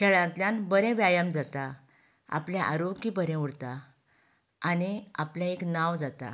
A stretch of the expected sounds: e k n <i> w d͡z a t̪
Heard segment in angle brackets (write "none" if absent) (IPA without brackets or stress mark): a